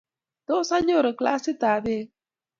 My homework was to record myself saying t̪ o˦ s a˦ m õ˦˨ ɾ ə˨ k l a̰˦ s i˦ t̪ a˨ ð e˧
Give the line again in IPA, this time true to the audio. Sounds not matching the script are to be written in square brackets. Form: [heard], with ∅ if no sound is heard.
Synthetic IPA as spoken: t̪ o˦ s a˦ [ɲ] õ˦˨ ɾ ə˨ k l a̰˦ s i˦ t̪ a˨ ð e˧